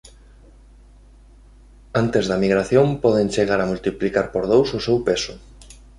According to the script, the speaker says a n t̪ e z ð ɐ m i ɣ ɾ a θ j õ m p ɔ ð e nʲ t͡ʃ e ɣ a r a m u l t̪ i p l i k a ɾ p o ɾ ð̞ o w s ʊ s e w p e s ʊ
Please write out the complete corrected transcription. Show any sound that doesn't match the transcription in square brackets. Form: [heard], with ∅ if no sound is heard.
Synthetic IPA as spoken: a n t̪ e z ð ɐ m i ɣ ɾ a θ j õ m p ɔ ð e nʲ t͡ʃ e ɣ a [ɾ] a m u l t̪ i p l i k a ɾ p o ɾ ð̞ o w s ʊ s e w p e s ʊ